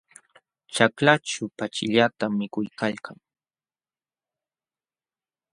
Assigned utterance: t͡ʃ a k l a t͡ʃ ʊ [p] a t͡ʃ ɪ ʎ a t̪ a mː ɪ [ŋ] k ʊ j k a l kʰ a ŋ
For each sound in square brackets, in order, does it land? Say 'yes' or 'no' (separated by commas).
yes, no